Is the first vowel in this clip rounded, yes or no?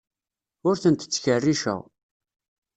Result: yes